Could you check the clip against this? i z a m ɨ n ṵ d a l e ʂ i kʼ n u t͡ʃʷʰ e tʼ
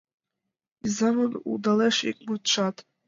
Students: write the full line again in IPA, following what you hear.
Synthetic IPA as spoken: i z a m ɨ n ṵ d a l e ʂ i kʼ m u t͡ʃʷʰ a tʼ